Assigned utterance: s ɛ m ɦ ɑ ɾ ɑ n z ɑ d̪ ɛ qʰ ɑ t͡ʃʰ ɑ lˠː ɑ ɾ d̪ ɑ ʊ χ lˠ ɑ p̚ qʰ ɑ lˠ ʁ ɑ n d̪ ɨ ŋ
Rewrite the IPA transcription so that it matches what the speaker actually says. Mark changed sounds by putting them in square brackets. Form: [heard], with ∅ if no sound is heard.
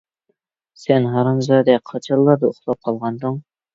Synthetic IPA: s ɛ [n] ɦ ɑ ɾ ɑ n z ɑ d̪ ɛ qʰ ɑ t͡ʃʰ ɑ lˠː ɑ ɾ d̪ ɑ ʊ χ lˠ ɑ p̚ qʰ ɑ lˠ ʁ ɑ n d̪ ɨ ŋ

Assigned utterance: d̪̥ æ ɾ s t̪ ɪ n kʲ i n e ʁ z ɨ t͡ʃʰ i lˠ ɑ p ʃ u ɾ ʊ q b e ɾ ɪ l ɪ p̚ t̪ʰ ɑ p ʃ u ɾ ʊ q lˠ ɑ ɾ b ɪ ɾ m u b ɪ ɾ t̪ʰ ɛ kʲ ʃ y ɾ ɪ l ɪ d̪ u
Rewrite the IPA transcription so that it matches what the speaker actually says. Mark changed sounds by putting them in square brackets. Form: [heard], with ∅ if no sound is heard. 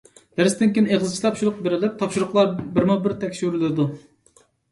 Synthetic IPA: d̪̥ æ ɾ s t̪ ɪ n kʲ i n e ʁ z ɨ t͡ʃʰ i lˠ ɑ p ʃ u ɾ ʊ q b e ɾ ɪ l ɪ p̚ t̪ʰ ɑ p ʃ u ɾ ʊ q lˠ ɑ ɾ b ɪ ɾ m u b ɪ ɾ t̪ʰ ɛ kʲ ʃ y ɾ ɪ l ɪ d̪ u

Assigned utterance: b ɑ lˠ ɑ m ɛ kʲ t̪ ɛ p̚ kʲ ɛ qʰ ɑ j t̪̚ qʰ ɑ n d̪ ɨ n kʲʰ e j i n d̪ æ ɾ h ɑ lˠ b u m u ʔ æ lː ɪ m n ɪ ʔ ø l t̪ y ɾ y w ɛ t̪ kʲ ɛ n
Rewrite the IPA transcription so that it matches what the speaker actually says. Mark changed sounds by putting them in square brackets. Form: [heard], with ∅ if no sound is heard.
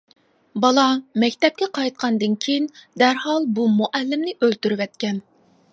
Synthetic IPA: b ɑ lˠ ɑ m ɛ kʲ t̪ ɛ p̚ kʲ ɛ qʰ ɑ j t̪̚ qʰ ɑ n d̪ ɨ n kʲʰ e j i n d̪ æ ɾ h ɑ lˠ b u m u ʔ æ lː ɪ m n ɪ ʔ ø l t̪ y ɾ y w ɛ t̪ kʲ ɛ n

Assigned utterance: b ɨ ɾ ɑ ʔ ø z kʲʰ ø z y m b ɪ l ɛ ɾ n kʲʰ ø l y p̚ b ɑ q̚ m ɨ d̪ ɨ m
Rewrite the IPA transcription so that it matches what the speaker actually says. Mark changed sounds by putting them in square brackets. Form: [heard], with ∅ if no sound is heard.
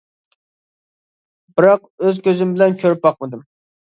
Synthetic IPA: b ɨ ɾ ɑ [q] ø z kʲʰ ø z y m b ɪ l ɛ [∅] n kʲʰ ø [ɾ] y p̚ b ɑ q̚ m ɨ d̪ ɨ m

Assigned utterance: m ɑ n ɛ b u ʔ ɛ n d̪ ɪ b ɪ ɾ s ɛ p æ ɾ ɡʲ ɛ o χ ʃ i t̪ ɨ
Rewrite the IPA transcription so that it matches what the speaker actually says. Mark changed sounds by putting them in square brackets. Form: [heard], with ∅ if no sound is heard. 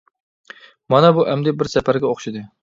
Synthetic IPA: m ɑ n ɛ b u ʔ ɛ [m] d̪ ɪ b ɪ ɾ s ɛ p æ ɾ ɡʲ ɛ o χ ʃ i [d̪] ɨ

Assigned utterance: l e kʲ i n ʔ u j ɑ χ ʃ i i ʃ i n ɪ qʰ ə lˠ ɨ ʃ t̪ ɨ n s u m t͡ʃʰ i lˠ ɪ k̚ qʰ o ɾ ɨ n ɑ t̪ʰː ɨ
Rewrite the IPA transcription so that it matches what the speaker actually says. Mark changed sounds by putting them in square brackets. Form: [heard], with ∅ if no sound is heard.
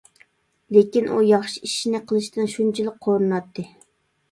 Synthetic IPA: l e kʲ i n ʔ u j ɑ χ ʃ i i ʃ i n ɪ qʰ ə lˠ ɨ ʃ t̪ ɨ n [ʃ] u [n] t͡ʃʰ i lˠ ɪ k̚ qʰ o ɾ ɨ n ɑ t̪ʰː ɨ

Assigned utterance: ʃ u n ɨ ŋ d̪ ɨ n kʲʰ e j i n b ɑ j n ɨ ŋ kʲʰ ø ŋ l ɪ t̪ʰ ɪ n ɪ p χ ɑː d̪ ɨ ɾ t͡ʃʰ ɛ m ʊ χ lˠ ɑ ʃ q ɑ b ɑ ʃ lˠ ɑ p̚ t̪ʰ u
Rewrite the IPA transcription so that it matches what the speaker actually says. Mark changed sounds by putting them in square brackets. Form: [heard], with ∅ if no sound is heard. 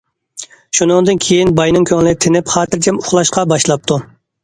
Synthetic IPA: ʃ u n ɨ ŋ d̪ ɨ n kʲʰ e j i n b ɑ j n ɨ ŋ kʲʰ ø ŋ l ɪ t̪ʰ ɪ n ɪ p χ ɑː [t̪] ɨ ɾ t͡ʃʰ ɛ m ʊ χ lˠ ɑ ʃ q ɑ b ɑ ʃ lˠ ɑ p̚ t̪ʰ u

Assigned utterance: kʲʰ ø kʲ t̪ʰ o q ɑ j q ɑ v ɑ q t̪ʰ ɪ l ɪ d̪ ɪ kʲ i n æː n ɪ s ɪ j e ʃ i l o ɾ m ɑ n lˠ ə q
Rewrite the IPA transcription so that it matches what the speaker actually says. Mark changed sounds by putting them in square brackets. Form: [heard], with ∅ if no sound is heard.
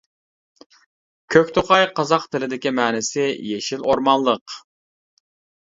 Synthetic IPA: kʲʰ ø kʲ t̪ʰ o q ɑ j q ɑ [z] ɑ q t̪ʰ ɪ l ɪ d̪ ɪ kʲ i [m] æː n ɪ s ɪ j e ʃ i l o ɾ m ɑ n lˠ ə q

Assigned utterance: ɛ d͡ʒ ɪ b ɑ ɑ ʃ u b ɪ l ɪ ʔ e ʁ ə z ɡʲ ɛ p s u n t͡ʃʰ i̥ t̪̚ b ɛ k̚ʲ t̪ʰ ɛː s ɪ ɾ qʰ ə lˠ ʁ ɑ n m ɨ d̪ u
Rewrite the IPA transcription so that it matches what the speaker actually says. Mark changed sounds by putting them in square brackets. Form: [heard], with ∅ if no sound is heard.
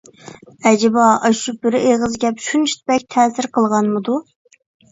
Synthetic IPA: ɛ d͡ʒ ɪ b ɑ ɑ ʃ u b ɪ [ɾ] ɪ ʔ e ʁ ə z ɡʲ ɛ p [ʃ] u n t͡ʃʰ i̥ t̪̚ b ɛ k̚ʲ t̪ʰ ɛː s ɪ ɾ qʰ ə lˠ ʁ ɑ n m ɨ d̪ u

